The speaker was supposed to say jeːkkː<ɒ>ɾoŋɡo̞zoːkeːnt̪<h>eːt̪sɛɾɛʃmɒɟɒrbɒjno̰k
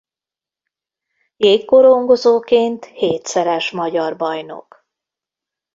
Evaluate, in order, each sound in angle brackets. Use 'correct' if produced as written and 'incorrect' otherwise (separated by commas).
incorrect, correct